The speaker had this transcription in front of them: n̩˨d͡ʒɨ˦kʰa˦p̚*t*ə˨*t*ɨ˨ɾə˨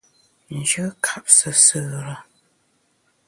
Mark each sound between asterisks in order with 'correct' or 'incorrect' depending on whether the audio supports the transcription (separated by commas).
incorrect, incorrect